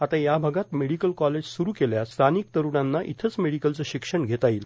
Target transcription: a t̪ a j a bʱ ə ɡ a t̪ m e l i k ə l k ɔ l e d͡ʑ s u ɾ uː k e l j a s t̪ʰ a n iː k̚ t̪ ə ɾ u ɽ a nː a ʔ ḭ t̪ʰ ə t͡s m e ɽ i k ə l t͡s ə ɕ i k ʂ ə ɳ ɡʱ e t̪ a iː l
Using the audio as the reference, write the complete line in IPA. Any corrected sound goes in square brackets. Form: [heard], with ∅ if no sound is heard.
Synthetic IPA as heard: a t̪ a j a bʱ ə ɡ a t̪ m e [ɽ] i k ə l k ɔ l e d͡ʑ s u ɾ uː k e l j a s t̪ʰ a n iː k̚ t̪ ə ɾ u ɽ a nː a ʔ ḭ t̪ʰ ə t͡s m e ɽ i k ə l t͡s ə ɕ i k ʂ ə ɳ ɡʱ e t̪ a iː l